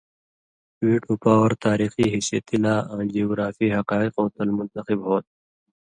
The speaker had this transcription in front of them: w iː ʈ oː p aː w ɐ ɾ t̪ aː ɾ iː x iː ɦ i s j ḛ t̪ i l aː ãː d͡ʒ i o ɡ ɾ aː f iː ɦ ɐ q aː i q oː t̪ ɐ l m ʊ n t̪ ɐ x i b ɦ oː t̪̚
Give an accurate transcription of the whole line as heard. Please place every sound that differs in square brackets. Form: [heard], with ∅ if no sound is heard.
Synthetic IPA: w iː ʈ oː p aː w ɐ ɾ t̪ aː ɾ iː x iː ɦ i s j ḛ t̪ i l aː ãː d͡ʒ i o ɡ ɾ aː f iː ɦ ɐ q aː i q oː t̪ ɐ l m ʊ n t̪ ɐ x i b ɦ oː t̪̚